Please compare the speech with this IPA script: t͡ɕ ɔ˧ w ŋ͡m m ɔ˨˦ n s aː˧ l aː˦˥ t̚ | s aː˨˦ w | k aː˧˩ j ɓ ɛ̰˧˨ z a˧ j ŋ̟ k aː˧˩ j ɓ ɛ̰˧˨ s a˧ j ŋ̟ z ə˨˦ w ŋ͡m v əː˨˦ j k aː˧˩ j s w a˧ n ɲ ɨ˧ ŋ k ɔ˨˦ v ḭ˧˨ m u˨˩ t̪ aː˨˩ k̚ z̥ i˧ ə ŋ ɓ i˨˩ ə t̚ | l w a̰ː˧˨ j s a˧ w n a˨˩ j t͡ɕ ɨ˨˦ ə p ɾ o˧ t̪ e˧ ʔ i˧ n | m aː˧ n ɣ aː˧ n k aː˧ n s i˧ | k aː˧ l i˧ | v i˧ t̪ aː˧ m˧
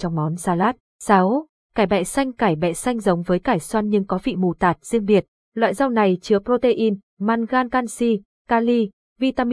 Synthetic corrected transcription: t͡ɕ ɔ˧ w ŋ͡m m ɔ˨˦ n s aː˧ l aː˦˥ t̚ | s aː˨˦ w | k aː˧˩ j ɓ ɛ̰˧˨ s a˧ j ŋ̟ k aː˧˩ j ɓ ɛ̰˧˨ s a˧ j ŋ̟ z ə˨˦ w ŋ͡m v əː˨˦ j k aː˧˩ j s w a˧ n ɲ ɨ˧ ŋ k ɔ˨˦ v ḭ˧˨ m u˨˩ t̪ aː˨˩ t̚ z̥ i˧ ə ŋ ɓ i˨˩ ə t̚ | l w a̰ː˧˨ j z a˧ w n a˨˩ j t͡ɕ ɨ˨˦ ə p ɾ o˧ t̪ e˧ ʔ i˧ n | m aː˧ n ɣ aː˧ n k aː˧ n s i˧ | k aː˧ l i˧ | v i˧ t̪ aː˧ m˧